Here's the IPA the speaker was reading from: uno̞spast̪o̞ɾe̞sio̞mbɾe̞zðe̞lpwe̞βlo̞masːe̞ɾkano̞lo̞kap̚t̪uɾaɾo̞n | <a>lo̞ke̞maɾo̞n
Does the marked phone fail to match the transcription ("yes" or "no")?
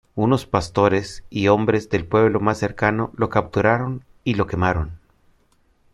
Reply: yes